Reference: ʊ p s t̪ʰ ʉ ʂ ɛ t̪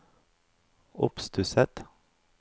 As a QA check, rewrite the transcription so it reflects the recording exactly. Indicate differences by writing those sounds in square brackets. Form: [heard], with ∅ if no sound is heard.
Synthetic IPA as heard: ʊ p s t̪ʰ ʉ [s] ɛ t̪